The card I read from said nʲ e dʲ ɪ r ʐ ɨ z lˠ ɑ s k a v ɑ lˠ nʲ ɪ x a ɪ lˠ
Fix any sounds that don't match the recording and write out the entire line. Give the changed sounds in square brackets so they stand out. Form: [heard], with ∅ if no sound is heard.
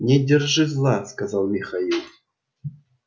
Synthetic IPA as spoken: nʲ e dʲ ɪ r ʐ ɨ z lˠ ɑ s k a [z] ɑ lˠ [mʲ] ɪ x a [i] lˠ